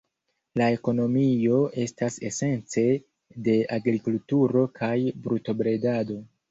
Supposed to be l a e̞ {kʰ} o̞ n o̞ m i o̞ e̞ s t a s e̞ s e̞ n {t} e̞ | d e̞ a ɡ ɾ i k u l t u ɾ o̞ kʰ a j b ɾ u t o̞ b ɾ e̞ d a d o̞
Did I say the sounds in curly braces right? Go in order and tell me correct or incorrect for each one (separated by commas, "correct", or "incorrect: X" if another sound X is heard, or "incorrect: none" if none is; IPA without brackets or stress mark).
incorrect: k, incorrect: t͡s